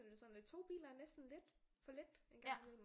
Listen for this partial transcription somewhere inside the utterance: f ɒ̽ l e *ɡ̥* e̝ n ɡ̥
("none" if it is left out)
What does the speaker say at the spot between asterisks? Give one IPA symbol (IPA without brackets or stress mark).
d̥